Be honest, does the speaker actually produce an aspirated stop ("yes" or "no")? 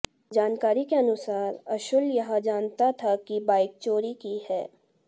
yes